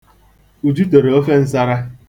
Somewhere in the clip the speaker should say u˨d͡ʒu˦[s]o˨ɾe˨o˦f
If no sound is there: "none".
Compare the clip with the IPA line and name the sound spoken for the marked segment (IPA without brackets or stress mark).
t